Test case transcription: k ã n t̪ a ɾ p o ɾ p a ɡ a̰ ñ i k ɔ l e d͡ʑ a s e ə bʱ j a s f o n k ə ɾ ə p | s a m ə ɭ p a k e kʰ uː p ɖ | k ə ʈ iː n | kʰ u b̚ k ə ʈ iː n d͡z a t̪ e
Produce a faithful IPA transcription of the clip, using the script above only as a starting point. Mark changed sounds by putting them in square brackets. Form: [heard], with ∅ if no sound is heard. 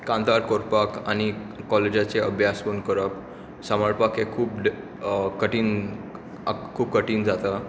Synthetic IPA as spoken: k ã n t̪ a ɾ [k] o ɾ p a [k] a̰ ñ i k ɔ l e d͡ʑ a [t͡s] e ə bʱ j a s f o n k ə ɾ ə p | s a m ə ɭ p a k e kʰ uː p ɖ | k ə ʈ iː n | kʰ [uː] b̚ k ə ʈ iː n d͡z a t̪ [a]